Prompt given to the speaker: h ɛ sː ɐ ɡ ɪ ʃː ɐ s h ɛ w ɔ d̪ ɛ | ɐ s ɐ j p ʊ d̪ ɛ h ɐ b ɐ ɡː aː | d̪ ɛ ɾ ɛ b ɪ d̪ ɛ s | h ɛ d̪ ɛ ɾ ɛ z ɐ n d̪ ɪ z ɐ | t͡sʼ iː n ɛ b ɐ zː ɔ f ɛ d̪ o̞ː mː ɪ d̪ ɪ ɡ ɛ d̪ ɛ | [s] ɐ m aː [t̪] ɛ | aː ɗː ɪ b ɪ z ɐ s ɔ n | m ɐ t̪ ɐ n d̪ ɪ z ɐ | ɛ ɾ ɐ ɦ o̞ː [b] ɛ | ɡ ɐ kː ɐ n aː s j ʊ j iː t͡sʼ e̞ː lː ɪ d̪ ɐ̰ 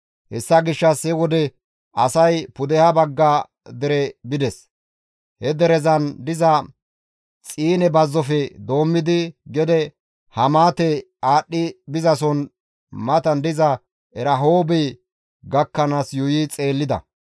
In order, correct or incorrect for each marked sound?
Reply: incorrect, correct, correct

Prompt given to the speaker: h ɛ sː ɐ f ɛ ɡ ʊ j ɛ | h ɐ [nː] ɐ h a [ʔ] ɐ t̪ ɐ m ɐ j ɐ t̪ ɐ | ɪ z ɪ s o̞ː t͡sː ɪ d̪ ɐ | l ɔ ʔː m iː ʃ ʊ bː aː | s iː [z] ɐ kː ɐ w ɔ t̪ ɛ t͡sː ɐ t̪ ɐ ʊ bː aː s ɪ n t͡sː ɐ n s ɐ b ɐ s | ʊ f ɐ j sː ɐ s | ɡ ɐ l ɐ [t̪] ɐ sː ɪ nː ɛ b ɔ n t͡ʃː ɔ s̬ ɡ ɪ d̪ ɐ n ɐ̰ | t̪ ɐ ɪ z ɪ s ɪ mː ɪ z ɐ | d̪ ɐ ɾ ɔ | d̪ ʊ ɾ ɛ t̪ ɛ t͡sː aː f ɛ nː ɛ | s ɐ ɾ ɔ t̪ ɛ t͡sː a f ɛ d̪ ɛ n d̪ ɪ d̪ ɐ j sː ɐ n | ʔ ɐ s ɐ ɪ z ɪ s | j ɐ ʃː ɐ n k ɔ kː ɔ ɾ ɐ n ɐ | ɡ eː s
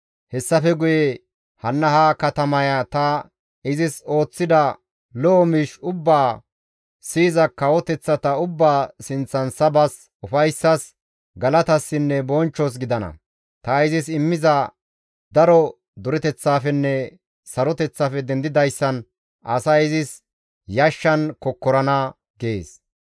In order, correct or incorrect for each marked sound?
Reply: correct, incorrect, correct, correct

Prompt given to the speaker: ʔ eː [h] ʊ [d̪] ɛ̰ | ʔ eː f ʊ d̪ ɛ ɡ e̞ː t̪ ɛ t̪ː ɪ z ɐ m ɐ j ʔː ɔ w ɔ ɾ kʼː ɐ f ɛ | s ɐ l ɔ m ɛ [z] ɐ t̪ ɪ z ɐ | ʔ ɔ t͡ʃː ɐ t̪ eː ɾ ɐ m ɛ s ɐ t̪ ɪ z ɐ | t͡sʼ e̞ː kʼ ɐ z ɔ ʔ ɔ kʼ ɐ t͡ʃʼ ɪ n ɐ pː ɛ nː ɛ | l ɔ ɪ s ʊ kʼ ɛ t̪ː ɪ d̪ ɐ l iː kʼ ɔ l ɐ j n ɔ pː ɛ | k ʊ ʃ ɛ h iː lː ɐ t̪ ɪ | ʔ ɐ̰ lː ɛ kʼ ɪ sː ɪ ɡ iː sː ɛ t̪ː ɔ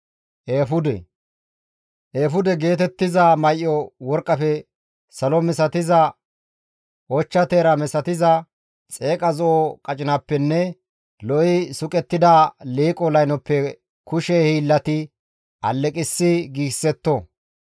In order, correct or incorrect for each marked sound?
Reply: incorrect, correct, incorrect

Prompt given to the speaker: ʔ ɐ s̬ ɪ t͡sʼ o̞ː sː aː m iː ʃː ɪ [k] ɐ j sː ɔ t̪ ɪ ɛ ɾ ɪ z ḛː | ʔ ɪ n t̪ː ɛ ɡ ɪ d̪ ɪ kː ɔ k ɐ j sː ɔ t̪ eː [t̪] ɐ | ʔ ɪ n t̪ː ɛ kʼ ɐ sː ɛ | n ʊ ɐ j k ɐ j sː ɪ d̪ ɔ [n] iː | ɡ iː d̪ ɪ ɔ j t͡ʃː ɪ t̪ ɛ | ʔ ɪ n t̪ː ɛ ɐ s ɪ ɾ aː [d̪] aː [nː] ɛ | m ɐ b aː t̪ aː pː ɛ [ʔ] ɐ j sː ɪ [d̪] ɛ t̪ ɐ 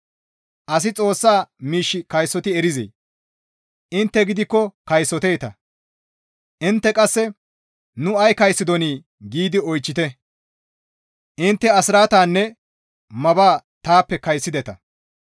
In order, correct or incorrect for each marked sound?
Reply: correct, correct, correct, incorrect, correct, incorrect, correct

